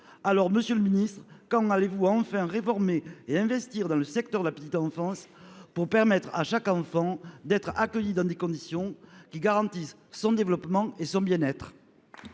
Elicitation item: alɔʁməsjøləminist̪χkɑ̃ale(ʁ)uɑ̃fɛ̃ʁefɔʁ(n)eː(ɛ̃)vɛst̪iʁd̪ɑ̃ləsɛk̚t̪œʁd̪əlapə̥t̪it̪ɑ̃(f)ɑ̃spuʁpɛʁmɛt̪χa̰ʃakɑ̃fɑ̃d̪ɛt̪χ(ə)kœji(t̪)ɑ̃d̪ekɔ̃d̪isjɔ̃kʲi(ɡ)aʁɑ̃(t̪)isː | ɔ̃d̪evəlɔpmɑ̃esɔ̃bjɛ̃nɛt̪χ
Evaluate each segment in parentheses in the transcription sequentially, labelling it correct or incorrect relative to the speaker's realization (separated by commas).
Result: incorrect, incorrect, correct, correct, incorrect, incorrect, correct, correct